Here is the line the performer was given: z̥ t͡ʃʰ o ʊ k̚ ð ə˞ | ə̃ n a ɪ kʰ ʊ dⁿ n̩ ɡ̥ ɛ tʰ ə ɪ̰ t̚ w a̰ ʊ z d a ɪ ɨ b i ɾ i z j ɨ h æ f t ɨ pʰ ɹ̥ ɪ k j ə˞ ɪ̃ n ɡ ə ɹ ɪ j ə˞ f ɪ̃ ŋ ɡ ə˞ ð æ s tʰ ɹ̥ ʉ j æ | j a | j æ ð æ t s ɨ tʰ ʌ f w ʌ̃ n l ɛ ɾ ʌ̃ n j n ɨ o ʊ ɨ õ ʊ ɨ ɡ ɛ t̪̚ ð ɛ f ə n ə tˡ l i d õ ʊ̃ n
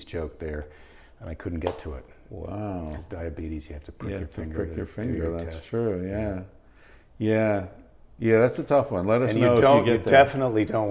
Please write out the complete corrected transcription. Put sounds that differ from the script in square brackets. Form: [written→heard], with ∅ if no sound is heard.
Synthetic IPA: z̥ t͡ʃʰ o ʊ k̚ ð ə˞ | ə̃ n a ɪ kʰ ʊ dⁿ n̩ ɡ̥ ɛ tʰ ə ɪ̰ t̚ w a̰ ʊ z d a ɪ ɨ b i ɾ i z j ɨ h æ f t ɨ pʰ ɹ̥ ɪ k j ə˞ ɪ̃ [n→ŋ] ɡ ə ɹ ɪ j ə˞ f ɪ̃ ŋ ɡ ə˞ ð æ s tʰ ɹ̥ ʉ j æ | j [a→æ] | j æ ð æ t s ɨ tʰ ʌ f w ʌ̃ n l ɛ ɾ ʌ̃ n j n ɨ o ʊ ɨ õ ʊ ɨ ɡ ɛ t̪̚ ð ɛ f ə n ə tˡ l i d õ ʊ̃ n